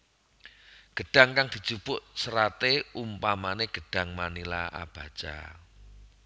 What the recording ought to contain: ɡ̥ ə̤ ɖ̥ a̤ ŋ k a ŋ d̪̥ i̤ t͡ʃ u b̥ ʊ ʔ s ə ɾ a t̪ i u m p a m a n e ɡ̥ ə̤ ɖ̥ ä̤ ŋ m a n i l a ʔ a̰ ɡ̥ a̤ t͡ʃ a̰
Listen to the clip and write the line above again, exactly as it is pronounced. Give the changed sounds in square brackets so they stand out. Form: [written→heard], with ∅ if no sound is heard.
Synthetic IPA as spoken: ɡ̥ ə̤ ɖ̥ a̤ ŋ k a ŋ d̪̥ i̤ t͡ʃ u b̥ ʊ ʔ s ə ɾ a t̪ [i→e] u m p a m a n e ɡ̥ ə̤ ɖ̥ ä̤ ŋ m a n i l a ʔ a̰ [ɡ̥→b̥] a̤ t͡ʃ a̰